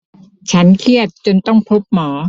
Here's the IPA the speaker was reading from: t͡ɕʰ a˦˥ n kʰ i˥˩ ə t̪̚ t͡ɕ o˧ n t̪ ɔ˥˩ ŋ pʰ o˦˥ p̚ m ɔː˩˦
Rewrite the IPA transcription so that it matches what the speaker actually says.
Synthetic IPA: t͡ɕʰ a˦˥ n kʰ i˥˩ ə t̪̚ t͡ɕ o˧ n t̪ ɔ˥˩ ŋ pʰ o˦˥ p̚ m ɔː˩˦